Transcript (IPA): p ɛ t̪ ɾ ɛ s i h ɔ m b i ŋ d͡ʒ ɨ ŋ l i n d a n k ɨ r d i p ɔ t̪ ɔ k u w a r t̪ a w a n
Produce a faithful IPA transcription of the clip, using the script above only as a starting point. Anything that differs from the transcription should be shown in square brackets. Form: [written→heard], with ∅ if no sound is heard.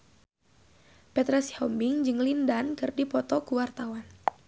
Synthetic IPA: p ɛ t̪ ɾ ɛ s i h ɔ m b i ŋ d͡ʒ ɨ ŋ l i n d a n k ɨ r d i p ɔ t̪ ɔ k u w a r t̪ a w a n